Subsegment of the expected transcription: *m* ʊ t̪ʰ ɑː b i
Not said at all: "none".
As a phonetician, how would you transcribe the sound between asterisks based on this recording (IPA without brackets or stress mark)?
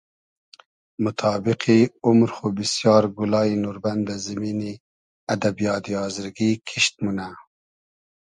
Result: m